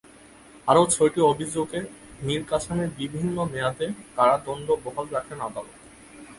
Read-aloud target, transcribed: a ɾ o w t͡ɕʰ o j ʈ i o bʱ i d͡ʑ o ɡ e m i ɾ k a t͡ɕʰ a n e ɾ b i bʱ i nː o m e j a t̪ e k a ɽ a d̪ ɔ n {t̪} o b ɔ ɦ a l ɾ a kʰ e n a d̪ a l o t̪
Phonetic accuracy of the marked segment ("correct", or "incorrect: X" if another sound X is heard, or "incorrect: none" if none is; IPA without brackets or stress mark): incorrect: d̪